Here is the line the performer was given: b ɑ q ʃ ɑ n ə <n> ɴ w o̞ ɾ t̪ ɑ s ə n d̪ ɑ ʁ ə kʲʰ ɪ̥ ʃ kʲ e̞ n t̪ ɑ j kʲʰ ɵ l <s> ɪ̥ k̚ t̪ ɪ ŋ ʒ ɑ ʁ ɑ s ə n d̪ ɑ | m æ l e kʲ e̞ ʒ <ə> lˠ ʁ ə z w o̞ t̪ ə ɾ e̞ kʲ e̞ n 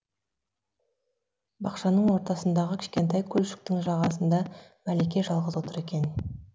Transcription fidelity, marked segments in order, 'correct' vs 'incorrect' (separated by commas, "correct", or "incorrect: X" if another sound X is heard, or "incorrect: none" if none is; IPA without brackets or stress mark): incorrect: none, incorrect: ʃ, incorrect: ɑ